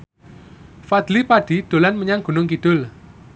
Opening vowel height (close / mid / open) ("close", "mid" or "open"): open